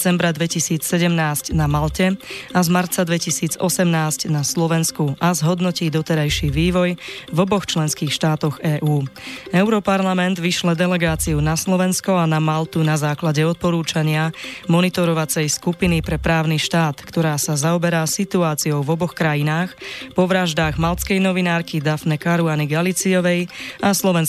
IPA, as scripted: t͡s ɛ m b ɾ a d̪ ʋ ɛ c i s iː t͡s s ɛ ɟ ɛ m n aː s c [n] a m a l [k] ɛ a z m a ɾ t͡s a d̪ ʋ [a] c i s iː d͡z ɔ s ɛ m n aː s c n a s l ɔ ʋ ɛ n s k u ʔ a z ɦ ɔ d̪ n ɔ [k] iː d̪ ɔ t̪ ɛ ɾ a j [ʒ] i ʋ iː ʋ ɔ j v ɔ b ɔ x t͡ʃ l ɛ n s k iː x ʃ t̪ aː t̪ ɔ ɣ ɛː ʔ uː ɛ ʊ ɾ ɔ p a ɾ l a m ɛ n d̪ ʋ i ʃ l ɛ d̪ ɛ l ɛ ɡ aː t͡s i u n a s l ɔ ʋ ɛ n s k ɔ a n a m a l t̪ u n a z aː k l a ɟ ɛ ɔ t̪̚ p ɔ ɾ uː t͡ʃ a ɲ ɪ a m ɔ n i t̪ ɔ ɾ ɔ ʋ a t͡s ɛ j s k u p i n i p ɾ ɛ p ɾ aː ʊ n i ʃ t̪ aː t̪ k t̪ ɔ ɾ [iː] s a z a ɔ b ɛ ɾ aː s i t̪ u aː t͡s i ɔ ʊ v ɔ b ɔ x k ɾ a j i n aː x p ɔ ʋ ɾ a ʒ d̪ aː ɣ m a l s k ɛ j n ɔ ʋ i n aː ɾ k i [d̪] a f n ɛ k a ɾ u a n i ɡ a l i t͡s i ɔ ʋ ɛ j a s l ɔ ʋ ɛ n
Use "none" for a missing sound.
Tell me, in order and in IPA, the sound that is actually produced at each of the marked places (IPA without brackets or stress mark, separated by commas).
n, c, ɛ, c, ʃ, aː, d̪